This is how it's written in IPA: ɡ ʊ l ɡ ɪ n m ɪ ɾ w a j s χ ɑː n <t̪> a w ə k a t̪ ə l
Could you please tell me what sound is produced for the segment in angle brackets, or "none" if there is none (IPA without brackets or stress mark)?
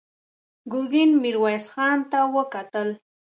t̪